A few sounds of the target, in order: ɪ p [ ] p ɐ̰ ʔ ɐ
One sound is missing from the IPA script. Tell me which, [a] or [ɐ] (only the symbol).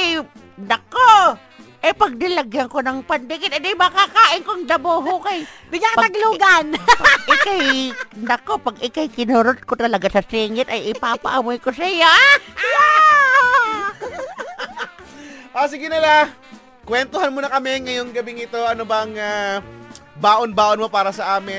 a